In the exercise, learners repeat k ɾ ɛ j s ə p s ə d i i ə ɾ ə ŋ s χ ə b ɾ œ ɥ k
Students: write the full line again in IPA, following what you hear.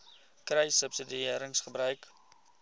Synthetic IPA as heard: k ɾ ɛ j s ə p s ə d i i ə ɾ ə ŋ s χ ə b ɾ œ ɥ k